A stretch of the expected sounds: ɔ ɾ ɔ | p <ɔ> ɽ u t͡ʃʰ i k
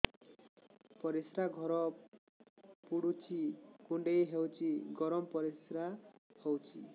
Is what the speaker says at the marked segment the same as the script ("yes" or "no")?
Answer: no